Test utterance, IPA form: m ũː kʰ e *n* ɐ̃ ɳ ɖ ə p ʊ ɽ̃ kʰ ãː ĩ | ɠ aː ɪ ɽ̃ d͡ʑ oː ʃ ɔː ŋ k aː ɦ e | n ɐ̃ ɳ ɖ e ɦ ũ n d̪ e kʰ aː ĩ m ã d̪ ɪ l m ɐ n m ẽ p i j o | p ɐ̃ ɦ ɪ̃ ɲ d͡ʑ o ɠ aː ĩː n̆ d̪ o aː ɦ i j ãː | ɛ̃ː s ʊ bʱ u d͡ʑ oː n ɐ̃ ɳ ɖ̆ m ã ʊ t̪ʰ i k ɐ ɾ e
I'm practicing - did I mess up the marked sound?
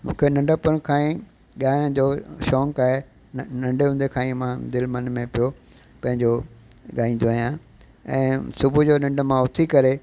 no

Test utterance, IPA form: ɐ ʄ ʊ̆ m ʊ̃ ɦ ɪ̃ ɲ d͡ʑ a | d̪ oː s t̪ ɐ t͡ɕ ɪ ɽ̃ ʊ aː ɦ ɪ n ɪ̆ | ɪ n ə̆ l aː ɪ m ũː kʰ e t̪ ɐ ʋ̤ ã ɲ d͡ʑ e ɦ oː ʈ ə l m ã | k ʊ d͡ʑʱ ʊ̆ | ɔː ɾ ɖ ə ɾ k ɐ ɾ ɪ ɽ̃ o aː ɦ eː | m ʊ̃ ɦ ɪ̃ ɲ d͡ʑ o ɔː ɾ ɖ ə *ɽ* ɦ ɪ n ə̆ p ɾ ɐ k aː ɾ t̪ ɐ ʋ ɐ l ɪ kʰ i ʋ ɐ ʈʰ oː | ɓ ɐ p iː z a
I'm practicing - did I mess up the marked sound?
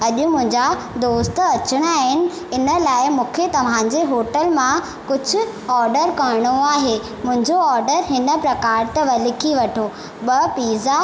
yes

